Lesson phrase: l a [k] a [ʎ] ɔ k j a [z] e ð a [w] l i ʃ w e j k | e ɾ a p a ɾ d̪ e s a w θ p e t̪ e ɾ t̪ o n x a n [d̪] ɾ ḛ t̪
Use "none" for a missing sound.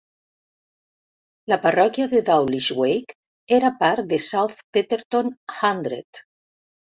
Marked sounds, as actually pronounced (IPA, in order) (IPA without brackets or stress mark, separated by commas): p, r, ð, w, d̪